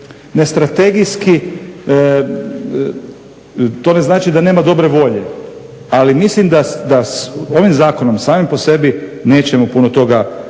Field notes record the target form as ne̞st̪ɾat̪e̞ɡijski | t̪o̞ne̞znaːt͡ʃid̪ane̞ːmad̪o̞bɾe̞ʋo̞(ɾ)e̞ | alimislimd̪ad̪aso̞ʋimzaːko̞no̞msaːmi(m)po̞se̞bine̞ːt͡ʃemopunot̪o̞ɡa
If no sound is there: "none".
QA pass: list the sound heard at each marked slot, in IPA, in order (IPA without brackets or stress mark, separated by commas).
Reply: ʎ, m